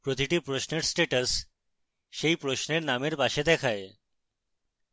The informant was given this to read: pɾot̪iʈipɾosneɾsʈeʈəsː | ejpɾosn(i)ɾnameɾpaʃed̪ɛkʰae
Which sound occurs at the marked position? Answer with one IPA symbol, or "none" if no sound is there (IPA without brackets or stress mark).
e